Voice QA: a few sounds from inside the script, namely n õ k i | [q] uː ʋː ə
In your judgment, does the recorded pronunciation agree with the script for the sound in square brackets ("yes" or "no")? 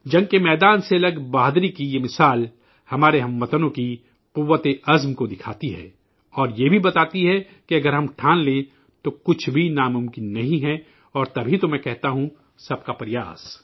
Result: yes